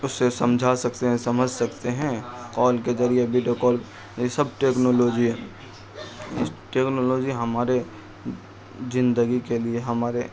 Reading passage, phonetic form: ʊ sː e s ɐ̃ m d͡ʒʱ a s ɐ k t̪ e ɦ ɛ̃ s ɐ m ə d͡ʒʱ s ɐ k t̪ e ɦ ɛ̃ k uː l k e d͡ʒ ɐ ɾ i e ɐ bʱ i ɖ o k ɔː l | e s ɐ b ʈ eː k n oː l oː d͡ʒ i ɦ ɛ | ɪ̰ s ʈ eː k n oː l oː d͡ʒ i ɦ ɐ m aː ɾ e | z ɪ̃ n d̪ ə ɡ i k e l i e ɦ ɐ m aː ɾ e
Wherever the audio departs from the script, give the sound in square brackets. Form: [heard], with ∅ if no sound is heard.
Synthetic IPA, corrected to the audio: ʊ sː e s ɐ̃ m d͡ʒʱ a s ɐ k t̪ e ɦ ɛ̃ s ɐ m ə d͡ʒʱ s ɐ k t̪ e ɦ ɛ̃ k [ɔː] l k e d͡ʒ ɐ ɾ i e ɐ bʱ i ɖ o k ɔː l | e s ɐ b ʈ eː k n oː l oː d͡ʒ i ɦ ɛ | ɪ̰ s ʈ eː k n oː l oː d͡ʒ i ɦ ɐ m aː ɾ e | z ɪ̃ n d̪ ə ɡ i k e l i e ɦ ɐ m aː ɾ e